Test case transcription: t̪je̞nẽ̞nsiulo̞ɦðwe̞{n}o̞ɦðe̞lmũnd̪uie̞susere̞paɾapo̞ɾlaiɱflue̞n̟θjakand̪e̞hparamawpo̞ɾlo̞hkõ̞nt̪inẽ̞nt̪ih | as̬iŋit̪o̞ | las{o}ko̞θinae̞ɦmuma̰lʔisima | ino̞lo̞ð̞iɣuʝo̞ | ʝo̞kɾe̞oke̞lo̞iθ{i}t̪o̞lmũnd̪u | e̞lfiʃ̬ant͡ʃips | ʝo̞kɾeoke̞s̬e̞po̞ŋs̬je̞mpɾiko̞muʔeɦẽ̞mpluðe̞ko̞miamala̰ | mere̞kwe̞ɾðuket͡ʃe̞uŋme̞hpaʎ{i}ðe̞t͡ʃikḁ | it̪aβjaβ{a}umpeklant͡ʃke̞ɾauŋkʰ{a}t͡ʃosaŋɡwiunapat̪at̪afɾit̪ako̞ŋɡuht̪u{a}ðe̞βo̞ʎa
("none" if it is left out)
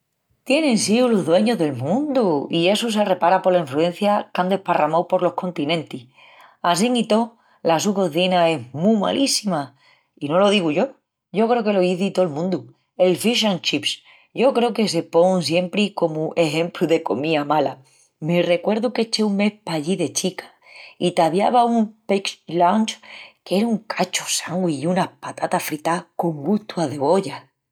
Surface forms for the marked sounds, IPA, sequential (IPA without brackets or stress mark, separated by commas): ɲ, u, i, i, a, a, a